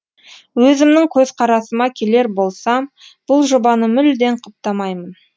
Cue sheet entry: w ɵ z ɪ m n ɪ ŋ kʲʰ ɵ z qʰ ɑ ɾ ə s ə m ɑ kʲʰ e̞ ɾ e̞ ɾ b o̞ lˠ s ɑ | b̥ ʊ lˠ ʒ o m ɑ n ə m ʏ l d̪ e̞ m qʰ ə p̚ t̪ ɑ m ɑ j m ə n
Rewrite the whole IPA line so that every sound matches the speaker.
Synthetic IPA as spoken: w ɵ z ɪ m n ɪ ŋ kʲʰ ɵ z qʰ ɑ ɾ ɑ s ə m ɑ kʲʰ e̞ l e̞ ɾ b o̞ lˠ s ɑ | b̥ ʊ lˠ ʒ o b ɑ n ə m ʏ l d̪ e̞ ɴ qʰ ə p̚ t̪ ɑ m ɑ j m ə n